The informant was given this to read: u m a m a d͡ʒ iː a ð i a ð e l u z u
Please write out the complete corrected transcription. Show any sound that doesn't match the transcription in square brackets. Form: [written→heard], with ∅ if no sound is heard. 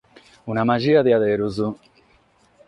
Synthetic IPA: u [m→n] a m a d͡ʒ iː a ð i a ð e [l→ɾ] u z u